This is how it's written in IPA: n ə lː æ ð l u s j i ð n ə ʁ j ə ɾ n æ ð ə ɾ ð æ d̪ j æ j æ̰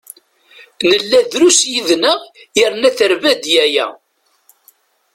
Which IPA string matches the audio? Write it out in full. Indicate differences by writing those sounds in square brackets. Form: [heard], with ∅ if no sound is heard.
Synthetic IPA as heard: n ə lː æ ð [ɾ] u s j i ð n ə ʁ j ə ɾ n æ [θ] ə ɾ [v] æ d̪ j æ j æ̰